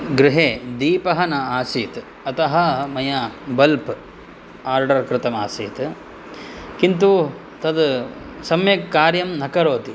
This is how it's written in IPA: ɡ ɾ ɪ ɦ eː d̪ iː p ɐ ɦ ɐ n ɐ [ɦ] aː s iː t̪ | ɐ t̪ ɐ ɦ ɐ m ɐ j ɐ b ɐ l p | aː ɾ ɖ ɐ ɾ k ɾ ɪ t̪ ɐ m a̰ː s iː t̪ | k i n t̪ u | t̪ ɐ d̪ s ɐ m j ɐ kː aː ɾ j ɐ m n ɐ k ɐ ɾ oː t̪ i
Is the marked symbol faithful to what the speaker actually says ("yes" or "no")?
no